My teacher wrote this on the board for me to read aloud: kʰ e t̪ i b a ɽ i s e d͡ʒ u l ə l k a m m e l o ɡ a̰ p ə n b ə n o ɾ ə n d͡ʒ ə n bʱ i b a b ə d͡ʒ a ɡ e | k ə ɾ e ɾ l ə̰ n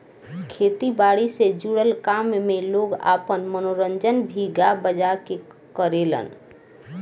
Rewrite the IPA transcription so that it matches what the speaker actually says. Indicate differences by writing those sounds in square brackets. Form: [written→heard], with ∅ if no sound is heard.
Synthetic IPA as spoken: kʰ e t̪ i b a ɽ i s e d͡ʒ u [l→ɽ] ə l k a m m e l o ɡ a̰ p ə n [b→m] ə n o ɾ ə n d͡ʒ ə n bʱ i [b→ɡ] a b ə d͡ʒ a [ɡ→k] e | k ə ɾ e [ɾ→∅] l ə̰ n